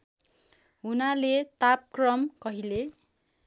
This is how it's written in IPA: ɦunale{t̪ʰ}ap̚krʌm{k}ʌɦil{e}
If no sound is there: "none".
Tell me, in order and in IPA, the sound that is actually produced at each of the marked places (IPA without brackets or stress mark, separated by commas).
t̪, k, e